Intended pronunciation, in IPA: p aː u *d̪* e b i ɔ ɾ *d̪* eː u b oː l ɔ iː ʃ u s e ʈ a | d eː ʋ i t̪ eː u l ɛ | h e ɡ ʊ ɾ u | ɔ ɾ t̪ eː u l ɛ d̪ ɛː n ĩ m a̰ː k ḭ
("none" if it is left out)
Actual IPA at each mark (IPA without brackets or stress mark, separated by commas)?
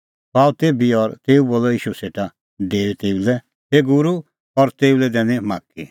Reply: t̪, t̪